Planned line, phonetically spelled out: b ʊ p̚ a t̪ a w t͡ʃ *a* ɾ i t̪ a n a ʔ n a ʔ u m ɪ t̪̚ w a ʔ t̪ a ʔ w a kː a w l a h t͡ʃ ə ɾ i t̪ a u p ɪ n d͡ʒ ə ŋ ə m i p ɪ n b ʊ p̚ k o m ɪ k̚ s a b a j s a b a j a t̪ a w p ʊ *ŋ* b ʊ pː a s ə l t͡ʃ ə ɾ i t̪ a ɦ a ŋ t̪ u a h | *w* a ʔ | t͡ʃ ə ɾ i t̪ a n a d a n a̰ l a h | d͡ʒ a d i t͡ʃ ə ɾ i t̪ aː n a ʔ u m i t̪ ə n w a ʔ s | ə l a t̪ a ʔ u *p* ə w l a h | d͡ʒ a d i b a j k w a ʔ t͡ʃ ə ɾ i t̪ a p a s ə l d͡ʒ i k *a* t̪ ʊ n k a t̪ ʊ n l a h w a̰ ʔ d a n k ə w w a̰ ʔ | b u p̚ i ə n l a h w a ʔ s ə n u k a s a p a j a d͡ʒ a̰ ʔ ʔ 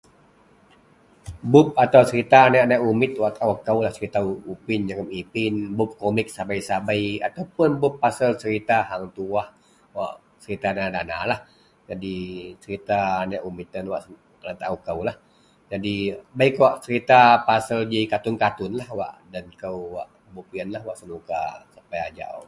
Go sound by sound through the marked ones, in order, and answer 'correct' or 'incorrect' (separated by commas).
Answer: incorrect, incorrect, correct, incorrect, correct